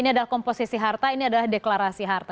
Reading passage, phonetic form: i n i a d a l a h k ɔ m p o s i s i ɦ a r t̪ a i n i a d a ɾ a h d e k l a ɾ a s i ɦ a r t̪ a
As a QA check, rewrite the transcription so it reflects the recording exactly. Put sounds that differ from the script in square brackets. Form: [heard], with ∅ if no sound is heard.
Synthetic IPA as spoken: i n i a d a l a h k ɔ m p o s i s i ɦ a r t̪ a i n i a d a [l] a h d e k l a ɾ a s i ɦ a r t̪ a